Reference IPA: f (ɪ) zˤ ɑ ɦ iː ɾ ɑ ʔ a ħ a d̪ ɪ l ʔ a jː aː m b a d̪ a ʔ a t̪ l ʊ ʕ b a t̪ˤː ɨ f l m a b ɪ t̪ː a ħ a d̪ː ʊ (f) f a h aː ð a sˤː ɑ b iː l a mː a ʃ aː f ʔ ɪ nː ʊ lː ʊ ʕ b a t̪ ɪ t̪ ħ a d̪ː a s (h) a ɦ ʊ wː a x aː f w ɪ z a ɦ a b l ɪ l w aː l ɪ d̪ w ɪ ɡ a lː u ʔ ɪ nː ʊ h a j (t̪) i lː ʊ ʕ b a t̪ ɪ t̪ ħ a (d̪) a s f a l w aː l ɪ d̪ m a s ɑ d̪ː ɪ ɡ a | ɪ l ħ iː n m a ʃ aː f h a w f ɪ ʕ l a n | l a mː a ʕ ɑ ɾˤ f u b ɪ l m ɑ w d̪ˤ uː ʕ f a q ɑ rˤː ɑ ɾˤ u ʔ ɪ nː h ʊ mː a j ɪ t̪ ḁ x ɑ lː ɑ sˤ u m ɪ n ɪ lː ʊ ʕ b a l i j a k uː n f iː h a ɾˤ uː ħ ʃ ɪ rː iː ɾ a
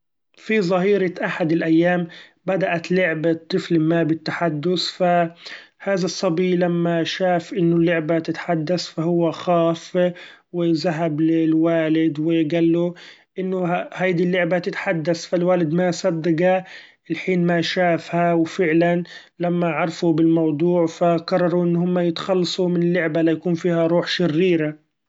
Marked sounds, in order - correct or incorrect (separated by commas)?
incorrect, incorrect, incorrect, incorrect, incorrect